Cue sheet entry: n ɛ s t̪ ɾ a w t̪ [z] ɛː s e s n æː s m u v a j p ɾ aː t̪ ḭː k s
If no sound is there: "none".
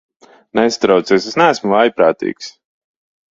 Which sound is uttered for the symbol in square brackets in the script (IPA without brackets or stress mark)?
s